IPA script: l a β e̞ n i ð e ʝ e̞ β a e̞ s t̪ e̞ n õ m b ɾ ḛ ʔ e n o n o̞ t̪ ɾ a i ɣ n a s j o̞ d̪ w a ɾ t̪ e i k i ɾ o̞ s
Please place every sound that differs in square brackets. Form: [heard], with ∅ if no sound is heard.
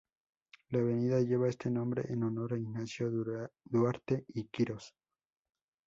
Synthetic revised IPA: l a β e̞ n i ð [a] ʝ e̞ β a e̞ s t̪ e̞ n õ m b ɾ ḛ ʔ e n o n o̞ [∅] ɾ a i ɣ n a s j o̞ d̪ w a ɾ t̪ e i k i ɾ o̞ s